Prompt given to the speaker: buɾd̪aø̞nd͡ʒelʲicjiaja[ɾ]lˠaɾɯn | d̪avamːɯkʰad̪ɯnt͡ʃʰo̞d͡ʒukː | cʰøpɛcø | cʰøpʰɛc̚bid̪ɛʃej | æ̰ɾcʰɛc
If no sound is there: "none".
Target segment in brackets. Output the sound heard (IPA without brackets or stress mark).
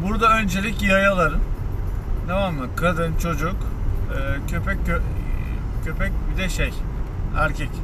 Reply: none